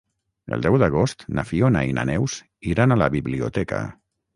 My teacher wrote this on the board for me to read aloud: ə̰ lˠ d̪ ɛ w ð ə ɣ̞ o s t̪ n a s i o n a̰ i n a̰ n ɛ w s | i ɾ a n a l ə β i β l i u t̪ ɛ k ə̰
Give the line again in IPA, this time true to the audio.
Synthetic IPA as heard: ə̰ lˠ d̪ ɛ w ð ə ɣ̞ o s t̪ n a f i o n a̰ i n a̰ n ɛ w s | i ɾ a n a l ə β i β l i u t̪ ɛ k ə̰